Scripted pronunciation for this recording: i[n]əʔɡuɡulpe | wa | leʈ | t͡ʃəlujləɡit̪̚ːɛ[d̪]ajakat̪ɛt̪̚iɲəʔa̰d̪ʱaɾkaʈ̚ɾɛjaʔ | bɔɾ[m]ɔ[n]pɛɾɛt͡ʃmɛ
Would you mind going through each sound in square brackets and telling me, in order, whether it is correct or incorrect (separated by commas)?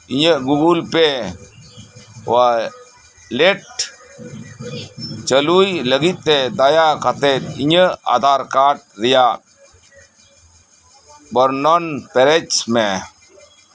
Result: incorrect, correct, incorrect, correct